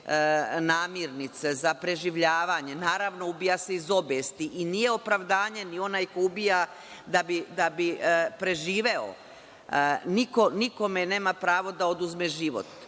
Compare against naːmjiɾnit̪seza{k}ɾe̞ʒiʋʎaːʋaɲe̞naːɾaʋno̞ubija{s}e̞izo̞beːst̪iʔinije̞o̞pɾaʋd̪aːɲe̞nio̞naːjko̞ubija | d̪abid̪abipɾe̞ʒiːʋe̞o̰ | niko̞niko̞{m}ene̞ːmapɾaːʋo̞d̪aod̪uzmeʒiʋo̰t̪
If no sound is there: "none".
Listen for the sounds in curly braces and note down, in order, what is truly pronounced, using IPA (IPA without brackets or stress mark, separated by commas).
p, s, m